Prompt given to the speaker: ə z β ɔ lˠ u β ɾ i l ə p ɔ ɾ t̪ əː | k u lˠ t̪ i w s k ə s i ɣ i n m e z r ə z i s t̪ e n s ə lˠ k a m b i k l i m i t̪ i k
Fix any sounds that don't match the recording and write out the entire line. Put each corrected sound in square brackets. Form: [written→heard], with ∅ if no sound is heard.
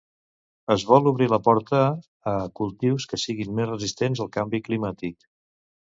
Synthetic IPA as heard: ə z β ɔ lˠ u β ɾ i l ə p ɔ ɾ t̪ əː | k u lˠ t̪ i w s k ə s i ɣ i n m e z r ə z i s t̪ e n [s→z] ə lˠ k a m b i k l i m [i→a] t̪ i k

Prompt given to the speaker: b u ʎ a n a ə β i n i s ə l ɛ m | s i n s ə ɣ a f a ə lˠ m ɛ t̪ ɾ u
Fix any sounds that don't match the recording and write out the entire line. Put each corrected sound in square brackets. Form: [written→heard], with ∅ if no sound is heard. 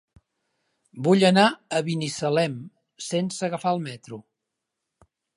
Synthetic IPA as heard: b u ʎ [a→ə] n a ə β i n i s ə l ɛ m | s [i→e] n s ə ɣ [a→ə] f a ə lˠ m ɛ t̪ ɾ u

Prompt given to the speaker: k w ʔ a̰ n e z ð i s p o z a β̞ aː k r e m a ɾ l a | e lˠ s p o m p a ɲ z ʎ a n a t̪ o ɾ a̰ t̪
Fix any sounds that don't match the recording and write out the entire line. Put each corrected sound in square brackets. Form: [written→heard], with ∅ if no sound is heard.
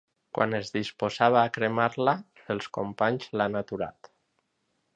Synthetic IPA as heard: k w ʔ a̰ n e z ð i s p o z a β̞ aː k [r→ɾ] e m a ɾ l a | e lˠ s [p→k] o m p a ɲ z [ʎ→l] a n a t̪ [o→u] ɾ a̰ t̪

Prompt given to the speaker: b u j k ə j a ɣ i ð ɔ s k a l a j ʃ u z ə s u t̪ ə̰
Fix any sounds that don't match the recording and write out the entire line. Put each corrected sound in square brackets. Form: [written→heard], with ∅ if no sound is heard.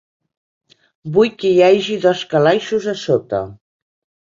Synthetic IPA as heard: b u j k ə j a [ɣ→ʒ] i ð ɔ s k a l a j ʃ u z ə s [u→o] t̪ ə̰

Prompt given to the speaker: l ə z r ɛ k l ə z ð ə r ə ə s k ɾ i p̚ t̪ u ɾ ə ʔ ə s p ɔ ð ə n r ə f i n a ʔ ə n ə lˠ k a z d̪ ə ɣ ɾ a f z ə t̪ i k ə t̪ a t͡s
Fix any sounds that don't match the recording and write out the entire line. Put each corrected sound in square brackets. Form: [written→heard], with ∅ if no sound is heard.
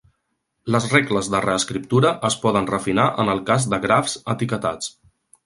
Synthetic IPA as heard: l ə z r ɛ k l ə z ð ə r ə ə s k ɾ i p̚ t̪ u ɾ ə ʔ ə s p ɔ ð ə n r ə f i n a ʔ ə n ə lˠ k a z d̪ ə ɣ ɾ a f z ə t̪ i k ə t̪ a t͡s

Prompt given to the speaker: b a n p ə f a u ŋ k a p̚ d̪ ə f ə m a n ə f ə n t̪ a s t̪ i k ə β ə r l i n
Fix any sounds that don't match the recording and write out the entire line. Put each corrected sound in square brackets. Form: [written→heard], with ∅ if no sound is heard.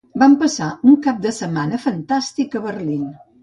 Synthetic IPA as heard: b a [n→m] p ə [f→s] a u ŋ k a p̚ d̪ ə [f→s] ə m a n ə f ə n t̪ a s t̪ i k ə β ə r l i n

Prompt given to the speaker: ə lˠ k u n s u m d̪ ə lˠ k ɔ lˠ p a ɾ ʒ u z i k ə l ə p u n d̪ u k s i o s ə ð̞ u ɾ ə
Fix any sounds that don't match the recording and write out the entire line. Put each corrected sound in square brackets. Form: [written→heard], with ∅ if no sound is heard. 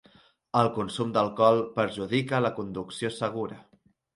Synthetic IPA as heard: ə lˠ k u n s u m d̪ ə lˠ k ɔ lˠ p [a→ə] ɾ ʒ u [z→ð] i k ə l ə [p→k] u n d̪ u k s i o s ə [ð̞→ɣ̞] u ɾ ə

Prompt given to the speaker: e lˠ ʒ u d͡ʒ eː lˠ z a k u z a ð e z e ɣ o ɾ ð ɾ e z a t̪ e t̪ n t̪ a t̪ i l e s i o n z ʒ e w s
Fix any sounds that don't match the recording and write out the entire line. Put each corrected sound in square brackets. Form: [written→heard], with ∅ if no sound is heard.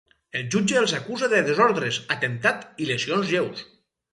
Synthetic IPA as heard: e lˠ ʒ u d͡ʒ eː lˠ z a k u z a ð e [z→ð] e [ɣ→z] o ɾ ð ɾ e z a t̪ e [t̪→∅] n t̪ a t̪ i l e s i o n z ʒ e w s

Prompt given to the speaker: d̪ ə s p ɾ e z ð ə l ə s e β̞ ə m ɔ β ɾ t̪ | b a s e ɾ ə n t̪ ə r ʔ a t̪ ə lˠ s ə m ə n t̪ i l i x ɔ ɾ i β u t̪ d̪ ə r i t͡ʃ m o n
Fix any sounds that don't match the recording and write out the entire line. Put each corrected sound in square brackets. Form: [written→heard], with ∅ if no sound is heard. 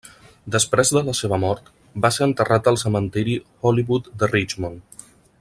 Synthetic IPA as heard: d̪ ə s p ɾ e z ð ə l ə s e β̞ ə m ɔ [β→∅] ɾ t̪ | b a s e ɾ ə n t̪ ə r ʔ a t̪ ə lˠ s ə m ə n t̪ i [l→ɾ] i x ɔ [ɾ→l] i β u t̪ d̪ ə r i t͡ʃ m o n

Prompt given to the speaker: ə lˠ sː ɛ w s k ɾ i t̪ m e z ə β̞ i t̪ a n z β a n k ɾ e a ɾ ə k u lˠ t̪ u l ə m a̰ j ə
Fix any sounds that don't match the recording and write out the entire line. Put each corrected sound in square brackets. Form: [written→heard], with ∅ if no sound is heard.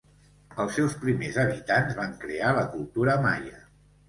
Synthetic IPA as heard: ə lˠ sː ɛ w s [k→p] ɾ i [t̪→∅] m e z ə β̞ i t̪ a n z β a [n→ŋ] k ɾ e a [ɾ→l] ə k u lˠ t̪ u [l→ɾ] ə m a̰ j ə

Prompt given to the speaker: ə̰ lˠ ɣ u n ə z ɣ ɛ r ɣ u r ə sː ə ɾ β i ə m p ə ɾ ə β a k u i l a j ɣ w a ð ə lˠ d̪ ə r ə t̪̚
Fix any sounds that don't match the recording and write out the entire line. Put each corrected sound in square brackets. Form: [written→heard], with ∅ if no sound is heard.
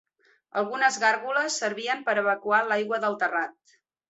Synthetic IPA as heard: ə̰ lˠ ɣ u n ə z ɣ [ɛ→a] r ɣ u [r→l] ə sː ə ɾ β i ə m p ə ɾ ə β [a→ə] k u [i→a] l a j ɣ w [a→ə] ð ə lˠ [d̪→t̪] ə r [ə→a] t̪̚

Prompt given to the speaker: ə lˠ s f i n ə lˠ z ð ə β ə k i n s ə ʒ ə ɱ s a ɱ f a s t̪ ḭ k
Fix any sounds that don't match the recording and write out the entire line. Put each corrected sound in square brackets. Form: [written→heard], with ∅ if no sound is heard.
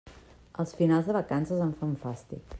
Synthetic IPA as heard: ə lˠ s f i n [ə→a] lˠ z ð ə β ə k [i→a] n s ə [ʒ→z] ə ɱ [s→f] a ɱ f a s t̪ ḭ k

